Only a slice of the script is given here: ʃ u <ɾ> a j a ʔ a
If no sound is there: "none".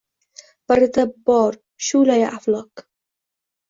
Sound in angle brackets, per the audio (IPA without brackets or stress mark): l